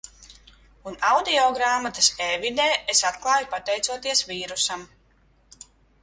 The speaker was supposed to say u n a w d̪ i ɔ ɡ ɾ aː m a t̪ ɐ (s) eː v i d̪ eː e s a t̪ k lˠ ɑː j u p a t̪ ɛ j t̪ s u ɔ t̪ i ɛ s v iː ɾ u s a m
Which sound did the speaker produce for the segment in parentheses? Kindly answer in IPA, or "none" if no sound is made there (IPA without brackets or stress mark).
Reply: s